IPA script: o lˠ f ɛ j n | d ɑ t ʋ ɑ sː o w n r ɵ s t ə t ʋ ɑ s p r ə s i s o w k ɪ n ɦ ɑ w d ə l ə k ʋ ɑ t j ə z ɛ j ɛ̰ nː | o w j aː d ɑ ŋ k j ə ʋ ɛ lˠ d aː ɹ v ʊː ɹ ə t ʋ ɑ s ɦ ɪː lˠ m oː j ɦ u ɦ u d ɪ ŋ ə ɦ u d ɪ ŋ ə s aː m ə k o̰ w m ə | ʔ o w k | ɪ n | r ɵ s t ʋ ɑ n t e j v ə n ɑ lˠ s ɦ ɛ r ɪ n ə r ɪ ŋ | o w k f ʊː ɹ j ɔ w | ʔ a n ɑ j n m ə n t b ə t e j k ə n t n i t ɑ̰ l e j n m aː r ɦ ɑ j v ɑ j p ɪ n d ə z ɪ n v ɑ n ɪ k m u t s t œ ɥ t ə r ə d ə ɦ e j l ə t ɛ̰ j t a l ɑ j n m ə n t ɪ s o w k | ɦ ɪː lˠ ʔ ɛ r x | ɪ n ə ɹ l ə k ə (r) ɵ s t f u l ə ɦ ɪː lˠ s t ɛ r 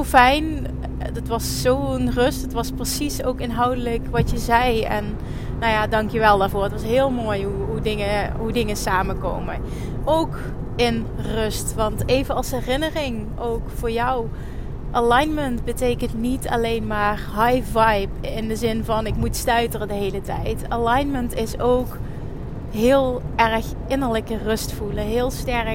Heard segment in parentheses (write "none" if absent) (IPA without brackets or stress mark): r